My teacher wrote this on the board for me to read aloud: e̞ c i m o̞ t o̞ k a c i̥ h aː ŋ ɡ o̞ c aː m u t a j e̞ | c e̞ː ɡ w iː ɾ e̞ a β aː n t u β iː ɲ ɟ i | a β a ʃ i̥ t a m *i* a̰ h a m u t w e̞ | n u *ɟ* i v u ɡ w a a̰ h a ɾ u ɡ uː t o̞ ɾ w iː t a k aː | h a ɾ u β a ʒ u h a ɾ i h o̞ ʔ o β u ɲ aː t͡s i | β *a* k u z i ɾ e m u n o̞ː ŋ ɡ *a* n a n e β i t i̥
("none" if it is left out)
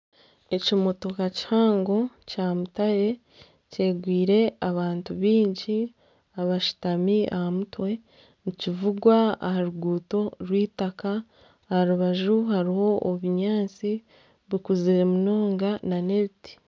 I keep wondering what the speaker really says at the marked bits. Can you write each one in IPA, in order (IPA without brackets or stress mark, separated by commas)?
i, c, i, a